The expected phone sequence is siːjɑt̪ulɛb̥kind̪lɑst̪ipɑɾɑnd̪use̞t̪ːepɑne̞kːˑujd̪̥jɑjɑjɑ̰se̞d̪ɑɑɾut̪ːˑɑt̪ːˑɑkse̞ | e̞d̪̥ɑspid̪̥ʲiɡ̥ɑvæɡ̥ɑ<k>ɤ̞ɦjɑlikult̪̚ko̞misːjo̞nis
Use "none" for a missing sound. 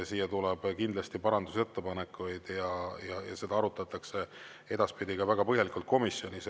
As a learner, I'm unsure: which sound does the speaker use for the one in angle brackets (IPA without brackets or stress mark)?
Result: p